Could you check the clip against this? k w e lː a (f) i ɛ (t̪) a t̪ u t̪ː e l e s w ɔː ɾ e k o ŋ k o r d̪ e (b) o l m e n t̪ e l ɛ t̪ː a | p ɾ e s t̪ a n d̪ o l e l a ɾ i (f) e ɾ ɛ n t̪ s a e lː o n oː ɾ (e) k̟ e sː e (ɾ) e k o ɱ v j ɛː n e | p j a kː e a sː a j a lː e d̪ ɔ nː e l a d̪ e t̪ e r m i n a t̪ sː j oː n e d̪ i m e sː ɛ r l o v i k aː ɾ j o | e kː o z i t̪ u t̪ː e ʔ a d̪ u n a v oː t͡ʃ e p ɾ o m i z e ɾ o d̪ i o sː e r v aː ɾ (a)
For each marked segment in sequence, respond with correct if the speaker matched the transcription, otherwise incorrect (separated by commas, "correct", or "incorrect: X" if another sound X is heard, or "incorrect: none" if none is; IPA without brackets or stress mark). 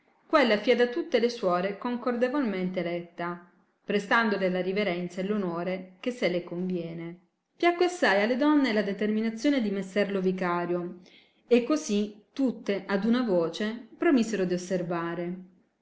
correct, incorrect: d̪, incorrect: v, incorrect: v, correct, incorrect: l, incorrect: e